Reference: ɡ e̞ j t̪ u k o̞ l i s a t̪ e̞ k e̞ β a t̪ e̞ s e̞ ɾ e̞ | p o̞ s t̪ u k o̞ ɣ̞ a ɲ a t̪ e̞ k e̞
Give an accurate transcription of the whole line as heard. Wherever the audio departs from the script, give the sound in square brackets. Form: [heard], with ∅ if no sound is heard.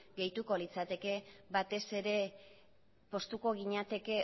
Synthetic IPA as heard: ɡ e̞ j t̪ u k o̞ l i [t͡s] a t̪ e̞ k e̞ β a t̪ e̞ s e̞ ɾ e̞ | p o̞ s t̪ u k o̞ ɣ̞ [i] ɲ a t̪ e̞ k e̞